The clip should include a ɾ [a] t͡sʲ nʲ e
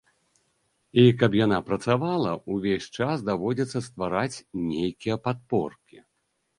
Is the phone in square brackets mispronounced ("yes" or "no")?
no